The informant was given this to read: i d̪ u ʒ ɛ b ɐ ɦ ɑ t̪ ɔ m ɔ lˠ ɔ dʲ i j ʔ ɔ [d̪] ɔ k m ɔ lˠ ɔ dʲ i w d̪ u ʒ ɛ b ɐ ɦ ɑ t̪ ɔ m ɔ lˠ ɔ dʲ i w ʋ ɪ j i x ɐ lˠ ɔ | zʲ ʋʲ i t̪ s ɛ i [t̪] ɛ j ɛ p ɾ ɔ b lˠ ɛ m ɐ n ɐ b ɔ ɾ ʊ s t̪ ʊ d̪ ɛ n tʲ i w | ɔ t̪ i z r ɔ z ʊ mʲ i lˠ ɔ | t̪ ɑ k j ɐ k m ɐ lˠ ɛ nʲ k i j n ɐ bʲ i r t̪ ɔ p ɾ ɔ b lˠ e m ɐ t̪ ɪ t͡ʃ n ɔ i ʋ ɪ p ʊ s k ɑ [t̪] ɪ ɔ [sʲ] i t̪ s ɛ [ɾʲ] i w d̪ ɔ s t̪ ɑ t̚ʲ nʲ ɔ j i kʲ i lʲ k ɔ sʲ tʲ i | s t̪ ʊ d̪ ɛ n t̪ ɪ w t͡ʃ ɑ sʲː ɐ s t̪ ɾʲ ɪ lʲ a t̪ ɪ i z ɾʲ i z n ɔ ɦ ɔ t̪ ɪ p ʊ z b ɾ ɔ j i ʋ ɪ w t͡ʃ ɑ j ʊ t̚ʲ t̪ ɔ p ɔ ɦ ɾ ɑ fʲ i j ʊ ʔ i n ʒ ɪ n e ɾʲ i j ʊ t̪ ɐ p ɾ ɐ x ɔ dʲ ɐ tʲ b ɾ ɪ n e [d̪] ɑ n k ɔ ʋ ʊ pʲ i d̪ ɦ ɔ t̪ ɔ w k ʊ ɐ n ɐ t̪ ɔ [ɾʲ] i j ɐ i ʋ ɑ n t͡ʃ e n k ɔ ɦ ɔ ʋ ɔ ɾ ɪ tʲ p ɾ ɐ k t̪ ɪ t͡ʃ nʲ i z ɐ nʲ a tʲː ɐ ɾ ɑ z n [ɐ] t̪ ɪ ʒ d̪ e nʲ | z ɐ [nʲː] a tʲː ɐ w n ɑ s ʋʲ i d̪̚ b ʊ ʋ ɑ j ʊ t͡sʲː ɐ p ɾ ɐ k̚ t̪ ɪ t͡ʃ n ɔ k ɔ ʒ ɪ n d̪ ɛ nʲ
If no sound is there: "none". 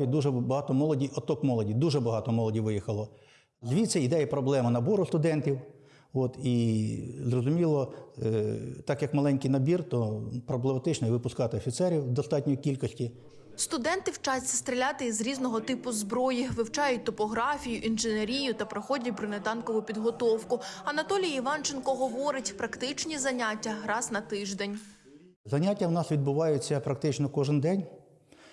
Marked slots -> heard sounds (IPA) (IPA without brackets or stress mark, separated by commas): t̪, d̪, t̪, fʲ, ɾʲ, t̪, lʲ, ɐ, nʲ